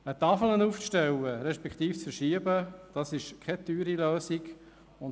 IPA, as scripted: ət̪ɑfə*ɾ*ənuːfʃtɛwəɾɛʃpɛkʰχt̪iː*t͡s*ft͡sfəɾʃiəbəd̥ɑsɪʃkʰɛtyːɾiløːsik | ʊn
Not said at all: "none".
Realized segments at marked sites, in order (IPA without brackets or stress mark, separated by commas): l, none